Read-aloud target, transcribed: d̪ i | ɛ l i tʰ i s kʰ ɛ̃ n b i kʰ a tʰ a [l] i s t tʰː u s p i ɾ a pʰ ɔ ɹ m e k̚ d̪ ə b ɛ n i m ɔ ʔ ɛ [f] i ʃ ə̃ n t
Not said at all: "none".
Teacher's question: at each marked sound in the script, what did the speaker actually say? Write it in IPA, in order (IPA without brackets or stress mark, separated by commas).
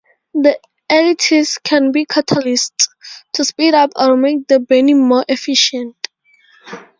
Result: l, f